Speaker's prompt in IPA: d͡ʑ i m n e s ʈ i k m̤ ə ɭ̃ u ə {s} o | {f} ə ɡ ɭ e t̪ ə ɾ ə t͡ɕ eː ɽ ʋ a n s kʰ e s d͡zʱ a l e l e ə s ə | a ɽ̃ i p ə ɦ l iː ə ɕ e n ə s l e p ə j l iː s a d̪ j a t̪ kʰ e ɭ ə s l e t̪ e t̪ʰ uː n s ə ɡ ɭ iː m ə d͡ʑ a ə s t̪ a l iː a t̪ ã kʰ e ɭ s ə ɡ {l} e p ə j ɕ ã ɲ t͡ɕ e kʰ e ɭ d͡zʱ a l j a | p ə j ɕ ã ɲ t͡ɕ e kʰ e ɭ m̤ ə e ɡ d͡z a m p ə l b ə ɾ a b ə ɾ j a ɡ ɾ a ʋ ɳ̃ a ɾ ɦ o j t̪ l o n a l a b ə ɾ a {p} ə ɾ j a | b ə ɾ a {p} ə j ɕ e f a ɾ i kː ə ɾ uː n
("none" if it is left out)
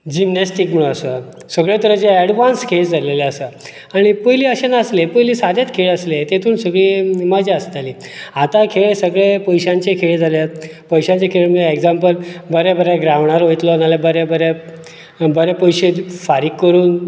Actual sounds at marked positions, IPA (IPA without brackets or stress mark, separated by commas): s, s, ɭ, b, p